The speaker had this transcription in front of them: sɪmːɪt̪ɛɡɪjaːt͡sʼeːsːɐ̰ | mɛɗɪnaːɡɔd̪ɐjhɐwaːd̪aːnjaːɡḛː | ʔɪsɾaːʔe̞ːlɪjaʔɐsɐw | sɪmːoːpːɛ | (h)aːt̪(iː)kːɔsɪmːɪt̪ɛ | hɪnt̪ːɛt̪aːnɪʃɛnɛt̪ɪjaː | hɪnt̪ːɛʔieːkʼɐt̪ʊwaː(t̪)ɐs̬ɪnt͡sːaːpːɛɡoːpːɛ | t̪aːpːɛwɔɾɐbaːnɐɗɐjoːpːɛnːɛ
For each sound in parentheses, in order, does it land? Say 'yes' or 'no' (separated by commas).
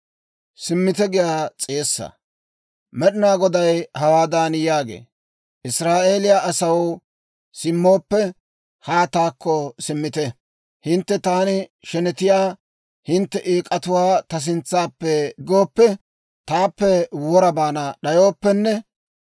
yes, no, yes